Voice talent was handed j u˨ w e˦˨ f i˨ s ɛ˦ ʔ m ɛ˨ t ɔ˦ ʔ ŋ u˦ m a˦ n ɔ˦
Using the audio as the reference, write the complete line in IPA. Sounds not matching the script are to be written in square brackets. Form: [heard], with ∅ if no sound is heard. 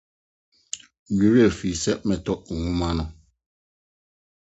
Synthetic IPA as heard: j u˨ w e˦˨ f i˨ s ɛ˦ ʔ m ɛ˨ t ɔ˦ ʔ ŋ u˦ m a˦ n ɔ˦

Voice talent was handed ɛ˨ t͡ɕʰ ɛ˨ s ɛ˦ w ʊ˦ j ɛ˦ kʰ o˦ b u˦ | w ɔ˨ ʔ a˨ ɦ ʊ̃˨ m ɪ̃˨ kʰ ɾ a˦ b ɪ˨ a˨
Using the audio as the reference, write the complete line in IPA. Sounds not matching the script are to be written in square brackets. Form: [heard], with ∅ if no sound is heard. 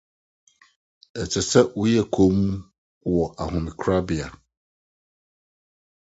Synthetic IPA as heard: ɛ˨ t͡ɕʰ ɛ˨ s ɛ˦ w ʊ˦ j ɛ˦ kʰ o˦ [m] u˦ | w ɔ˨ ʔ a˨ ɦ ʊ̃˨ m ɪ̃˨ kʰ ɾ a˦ b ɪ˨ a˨

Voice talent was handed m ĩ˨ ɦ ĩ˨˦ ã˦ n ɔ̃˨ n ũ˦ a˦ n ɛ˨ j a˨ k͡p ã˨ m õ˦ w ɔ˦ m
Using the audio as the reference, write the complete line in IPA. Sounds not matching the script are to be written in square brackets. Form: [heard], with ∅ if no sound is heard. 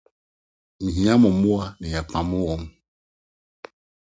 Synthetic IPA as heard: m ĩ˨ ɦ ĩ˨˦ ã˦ [m] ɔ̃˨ [m] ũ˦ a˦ n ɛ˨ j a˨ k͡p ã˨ m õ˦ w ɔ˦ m

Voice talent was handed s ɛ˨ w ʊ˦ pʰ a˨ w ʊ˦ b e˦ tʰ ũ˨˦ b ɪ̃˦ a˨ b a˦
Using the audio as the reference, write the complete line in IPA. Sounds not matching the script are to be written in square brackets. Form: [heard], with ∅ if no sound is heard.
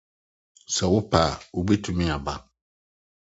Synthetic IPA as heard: s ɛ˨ w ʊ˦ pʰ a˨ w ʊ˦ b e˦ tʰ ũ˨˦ [m] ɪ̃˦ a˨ b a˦

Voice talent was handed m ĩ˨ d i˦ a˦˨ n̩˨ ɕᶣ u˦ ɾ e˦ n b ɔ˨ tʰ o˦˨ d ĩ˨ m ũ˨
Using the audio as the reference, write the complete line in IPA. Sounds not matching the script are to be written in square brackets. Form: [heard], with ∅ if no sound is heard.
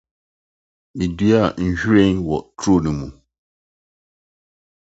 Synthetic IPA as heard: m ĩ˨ d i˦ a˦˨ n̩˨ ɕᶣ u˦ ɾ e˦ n [w] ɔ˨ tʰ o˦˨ [n] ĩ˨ m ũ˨

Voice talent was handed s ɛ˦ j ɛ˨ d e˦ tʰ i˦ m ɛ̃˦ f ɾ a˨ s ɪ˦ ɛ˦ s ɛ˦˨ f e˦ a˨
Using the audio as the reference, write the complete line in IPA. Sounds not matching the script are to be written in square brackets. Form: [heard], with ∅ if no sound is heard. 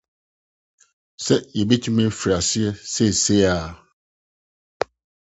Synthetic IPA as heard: s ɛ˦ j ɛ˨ [b] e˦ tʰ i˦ m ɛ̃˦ f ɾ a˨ s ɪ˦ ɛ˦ s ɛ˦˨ [s] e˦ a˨

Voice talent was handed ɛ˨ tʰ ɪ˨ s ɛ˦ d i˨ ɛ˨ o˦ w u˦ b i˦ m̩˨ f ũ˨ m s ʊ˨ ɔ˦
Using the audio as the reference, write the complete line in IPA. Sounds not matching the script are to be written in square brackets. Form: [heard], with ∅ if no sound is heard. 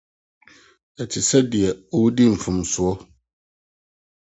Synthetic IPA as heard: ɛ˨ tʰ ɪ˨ s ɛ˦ d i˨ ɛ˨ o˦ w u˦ [d] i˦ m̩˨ f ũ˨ m s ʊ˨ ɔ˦

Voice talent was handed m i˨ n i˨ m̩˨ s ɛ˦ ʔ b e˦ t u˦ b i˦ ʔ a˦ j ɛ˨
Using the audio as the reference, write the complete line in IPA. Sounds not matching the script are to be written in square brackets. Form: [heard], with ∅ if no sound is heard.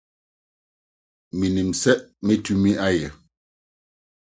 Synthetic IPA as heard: m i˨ n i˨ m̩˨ s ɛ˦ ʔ [m] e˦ t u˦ [m] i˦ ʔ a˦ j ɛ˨

